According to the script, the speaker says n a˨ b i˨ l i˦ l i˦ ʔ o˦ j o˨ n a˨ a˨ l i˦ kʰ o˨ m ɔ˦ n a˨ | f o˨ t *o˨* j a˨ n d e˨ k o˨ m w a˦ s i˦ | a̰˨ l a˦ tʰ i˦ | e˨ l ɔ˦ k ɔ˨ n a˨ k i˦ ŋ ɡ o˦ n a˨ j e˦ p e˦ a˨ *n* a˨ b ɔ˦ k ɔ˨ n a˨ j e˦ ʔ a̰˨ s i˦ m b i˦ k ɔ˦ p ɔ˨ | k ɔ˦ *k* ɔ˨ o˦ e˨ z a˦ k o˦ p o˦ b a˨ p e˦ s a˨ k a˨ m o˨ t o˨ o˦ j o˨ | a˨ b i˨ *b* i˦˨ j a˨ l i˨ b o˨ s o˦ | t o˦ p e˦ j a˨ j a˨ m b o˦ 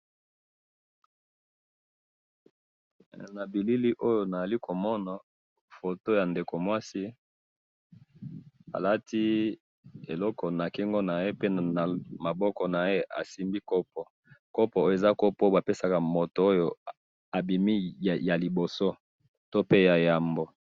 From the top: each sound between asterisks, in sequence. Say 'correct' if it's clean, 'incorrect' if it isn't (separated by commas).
incorrect, incorrect, incorrect, incorrect